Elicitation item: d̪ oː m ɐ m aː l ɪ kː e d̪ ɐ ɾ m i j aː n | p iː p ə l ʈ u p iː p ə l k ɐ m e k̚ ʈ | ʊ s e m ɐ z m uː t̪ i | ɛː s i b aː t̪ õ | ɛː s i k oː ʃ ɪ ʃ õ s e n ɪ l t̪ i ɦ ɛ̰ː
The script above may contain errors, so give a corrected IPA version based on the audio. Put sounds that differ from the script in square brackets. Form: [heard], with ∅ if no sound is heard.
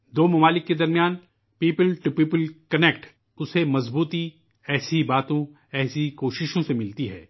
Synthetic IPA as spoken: d̪ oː m ɐ m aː l ɪ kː e d̪ ɐ ɾ m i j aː n | p iː p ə l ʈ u p iː p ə l k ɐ [n] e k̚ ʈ | ʊ s e m ɐ z [b] uː t̪ i | ɛː s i b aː t̪ õ | ɛː s i k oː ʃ ɪ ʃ õ s e [m] ɪ l t̪ i ɦ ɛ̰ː